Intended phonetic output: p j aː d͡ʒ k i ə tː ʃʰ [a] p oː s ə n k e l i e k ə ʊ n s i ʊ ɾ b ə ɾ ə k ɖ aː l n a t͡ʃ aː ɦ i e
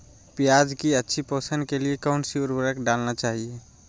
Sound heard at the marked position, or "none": i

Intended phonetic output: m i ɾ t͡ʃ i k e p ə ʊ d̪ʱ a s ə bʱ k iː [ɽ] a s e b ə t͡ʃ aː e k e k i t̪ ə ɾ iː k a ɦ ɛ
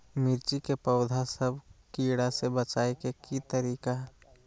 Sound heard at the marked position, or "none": ɽ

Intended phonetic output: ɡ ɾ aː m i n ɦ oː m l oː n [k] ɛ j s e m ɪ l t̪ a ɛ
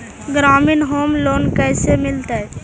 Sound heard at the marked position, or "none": k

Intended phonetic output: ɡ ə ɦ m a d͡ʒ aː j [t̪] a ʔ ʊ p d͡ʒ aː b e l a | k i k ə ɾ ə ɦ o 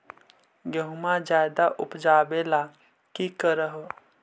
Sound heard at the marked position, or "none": d̪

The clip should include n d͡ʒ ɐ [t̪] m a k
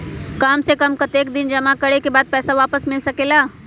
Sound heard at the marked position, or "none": none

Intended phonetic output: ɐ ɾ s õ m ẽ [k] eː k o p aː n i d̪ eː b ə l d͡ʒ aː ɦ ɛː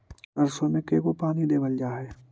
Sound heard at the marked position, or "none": k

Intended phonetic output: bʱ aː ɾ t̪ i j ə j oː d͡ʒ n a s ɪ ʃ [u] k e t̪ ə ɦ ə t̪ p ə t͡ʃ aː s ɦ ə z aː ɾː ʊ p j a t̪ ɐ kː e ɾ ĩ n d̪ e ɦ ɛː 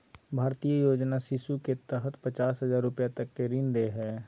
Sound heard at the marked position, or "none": u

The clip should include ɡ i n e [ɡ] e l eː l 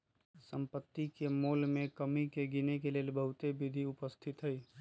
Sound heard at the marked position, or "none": k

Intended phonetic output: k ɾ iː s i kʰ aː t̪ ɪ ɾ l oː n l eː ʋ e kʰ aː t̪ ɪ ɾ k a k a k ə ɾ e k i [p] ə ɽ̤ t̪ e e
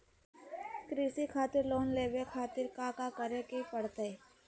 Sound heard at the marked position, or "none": p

